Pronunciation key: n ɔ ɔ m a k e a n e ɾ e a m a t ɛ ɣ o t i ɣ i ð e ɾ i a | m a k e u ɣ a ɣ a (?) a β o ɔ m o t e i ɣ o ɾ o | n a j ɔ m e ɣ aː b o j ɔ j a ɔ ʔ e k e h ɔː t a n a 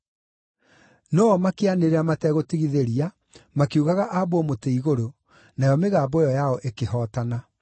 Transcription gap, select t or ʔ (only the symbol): ʔ